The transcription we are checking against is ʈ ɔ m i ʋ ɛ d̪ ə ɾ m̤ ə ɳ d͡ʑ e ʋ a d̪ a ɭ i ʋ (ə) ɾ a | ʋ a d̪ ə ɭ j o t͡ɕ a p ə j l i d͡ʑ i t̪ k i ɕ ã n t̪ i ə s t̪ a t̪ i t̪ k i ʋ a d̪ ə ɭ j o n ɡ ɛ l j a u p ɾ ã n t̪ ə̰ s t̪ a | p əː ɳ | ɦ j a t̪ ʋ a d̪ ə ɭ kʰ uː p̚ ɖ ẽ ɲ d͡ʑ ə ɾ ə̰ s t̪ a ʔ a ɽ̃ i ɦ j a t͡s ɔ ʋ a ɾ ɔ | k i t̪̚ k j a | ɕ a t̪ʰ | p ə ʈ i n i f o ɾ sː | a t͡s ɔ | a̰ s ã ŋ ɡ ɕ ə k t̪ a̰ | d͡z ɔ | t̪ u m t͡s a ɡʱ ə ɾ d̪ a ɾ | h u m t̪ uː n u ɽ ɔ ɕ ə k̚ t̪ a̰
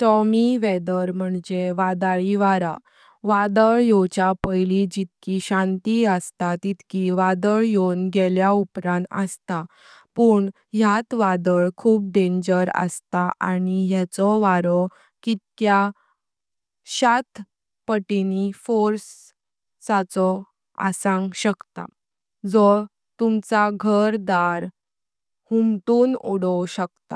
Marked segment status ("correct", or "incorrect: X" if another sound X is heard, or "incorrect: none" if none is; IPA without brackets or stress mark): incorrect: a